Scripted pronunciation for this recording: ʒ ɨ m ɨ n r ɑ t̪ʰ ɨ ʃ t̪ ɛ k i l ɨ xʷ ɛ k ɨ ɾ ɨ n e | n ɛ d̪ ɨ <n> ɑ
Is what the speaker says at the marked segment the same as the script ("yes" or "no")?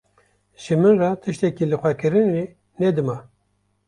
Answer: no